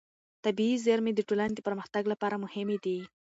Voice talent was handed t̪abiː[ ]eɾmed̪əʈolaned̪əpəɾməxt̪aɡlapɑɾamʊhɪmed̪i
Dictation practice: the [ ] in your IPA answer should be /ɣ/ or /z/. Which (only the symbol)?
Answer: z